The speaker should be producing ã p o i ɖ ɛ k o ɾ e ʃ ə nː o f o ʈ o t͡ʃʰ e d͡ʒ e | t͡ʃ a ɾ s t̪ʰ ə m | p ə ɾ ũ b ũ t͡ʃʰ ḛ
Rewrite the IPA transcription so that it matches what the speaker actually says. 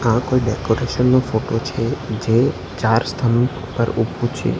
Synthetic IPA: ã k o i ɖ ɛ k o ɾ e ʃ ə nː o f o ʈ o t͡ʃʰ e d͡ʒ e | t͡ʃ a ɾ s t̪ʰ ə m | p ə ɾ u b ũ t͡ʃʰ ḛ